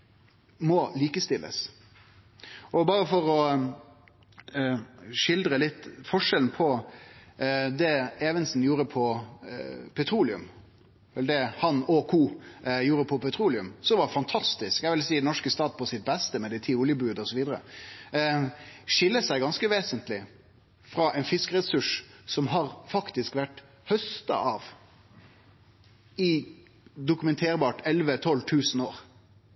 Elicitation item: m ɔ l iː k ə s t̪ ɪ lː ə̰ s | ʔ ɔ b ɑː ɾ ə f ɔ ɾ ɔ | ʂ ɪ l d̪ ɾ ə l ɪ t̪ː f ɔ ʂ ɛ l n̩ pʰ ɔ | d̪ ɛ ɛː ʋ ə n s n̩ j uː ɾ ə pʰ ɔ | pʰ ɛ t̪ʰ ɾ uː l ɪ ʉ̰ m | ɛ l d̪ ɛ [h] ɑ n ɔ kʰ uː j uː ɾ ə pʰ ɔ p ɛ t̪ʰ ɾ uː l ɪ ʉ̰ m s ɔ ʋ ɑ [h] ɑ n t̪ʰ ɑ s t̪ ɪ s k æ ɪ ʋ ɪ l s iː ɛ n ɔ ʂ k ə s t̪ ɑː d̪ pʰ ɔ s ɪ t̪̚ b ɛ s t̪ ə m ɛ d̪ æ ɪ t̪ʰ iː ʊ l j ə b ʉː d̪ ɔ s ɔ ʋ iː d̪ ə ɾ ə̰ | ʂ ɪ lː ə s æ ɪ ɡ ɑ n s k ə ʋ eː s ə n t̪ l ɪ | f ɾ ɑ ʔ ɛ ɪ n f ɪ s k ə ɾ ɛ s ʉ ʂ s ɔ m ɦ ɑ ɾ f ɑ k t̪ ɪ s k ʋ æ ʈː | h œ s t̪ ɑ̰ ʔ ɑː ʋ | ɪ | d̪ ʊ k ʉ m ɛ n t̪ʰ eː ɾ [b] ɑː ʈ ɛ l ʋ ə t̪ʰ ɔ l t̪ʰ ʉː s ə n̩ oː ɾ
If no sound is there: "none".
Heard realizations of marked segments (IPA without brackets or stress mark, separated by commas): h, f, b